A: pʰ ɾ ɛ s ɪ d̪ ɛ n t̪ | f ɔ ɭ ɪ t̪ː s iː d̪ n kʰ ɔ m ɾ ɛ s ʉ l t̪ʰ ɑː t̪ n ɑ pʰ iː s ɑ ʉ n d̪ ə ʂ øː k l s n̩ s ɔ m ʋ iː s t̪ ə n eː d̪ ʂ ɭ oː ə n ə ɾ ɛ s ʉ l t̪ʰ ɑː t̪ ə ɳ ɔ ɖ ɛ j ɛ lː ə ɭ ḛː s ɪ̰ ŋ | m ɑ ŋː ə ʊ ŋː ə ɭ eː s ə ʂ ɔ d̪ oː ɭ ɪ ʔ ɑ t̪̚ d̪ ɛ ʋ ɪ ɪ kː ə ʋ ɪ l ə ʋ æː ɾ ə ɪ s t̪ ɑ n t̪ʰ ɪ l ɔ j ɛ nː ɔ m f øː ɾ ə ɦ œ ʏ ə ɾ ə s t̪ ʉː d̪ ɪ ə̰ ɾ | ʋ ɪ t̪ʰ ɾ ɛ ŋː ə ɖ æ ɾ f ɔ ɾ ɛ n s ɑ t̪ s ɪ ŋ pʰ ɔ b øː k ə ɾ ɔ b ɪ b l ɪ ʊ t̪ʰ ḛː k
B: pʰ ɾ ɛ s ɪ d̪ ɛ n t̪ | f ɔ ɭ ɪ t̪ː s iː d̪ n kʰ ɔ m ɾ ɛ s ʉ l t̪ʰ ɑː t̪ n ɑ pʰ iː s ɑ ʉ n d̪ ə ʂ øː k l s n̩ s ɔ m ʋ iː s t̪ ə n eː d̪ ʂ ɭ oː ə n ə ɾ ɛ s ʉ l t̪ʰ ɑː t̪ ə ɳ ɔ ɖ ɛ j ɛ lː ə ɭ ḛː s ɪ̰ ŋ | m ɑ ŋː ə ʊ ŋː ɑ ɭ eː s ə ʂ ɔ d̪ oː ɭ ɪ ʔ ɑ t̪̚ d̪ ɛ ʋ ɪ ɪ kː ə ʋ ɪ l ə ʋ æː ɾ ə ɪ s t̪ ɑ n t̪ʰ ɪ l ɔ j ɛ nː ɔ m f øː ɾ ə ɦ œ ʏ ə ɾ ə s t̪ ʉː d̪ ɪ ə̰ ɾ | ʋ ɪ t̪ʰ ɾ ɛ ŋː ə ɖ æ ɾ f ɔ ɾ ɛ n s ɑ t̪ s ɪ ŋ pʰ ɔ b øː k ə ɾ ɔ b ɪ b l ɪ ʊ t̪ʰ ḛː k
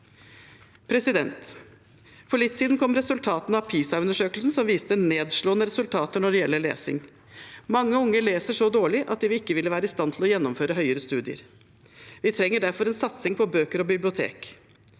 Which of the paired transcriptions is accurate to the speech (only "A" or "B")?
A